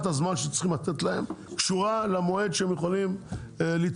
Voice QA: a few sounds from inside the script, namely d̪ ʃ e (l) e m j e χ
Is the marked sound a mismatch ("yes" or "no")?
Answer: yes